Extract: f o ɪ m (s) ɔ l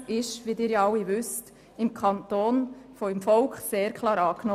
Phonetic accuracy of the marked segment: incorrect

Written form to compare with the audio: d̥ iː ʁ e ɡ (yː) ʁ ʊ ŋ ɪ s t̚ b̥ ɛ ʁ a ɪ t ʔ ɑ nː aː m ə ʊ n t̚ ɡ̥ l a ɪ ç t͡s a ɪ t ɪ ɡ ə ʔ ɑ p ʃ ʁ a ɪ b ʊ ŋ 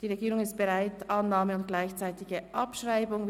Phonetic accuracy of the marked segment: incorrect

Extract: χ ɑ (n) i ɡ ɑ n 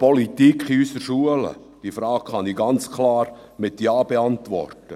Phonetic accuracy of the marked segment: correct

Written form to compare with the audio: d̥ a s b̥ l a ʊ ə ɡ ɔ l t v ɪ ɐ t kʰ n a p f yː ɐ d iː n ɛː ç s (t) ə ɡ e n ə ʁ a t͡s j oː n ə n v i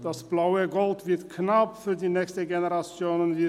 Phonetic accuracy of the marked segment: correct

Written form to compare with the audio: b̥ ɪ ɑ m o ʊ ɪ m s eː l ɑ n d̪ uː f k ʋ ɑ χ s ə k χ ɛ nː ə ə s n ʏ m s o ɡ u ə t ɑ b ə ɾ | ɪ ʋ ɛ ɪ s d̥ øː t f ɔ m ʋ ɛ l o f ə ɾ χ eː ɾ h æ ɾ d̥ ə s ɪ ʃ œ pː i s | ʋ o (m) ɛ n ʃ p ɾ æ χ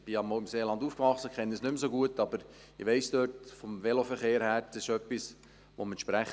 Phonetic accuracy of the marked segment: correct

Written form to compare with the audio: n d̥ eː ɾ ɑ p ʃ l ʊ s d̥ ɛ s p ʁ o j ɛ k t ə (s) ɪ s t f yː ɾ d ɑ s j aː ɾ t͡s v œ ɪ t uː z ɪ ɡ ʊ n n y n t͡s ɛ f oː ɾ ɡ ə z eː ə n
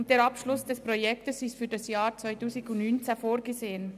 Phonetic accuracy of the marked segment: correct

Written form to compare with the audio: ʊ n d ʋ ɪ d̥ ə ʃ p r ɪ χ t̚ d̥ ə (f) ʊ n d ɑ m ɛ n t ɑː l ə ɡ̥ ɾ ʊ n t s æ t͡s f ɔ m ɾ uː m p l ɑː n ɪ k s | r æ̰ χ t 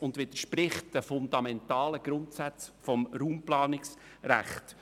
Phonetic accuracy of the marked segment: correct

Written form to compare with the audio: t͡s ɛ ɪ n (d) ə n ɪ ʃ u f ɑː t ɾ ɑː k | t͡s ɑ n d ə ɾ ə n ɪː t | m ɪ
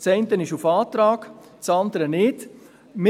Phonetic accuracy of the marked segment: incorrect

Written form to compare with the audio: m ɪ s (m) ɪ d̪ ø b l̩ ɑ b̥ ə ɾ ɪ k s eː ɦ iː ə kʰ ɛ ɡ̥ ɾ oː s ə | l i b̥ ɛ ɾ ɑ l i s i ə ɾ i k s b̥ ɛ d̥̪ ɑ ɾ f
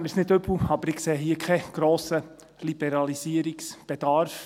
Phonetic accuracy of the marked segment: incorrect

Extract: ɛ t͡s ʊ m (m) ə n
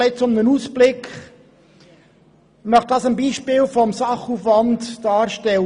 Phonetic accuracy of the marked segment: incorrect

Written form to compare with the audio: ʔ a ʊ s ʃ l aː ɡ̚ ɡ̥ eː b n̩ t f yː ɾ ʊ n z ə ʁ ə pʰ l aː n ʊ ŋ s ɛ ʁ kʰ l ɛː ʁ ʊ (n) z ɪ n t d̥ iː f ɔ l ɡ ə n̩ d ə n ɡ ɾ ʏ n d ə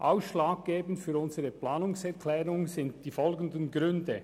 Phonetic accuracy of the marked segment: incorrect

